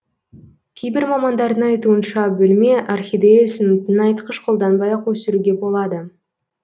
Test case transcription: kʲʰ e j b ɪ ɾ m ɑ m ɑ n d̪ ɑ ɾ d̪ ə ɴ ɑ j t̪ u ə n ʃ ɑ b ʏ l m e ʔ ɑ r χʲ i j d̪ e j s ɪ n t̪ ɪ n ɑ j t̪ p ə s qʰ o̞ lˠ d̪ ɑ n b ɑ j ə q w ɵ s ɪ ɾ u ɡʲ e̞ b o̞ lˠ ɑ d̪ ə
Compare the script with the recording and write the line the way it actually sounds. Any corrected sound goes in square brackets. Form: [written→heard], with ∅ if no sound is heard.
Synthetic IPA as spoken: kʲʰ e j b ɪ ɾ m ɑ m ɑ n d̪ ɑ ɾ d̪ ə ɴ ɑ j t̪ u ə n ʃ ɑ b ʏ l m e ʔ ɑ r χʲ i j d̪ e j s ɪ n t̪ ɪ n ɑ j t̪ [p→q] ə [s→ʃ] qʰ o̞ lˠ d̪ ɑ n b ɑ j [ə→ɑ] q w ɵ s ɪ ɾ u ɡʲ e̞ b o̞ lˠ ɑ d̪ ə